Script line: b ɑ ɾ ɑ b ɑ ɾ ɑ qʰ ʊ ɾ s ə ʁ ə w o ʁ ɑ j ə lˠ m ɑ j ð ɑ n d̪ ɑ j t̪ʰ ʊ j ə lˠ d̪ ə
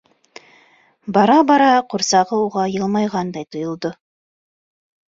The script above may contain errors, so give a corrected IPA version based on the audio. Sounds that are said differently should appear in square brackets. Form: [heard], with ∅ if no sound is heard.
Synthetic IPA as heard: b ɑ ɾ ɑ b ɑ ɾ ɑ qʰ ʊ ɾ s [ɑ] ʁ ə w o ʁ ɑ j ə lˠ m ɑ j [ʁ] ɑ n d̪ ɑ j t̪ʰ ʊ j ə lˠ d̪ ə